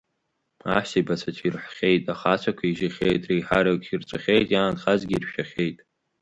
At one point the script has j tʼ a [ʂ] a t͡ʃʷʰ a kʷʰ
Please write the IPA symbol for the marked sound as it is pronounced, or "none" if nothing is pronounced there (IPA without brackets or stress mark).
χ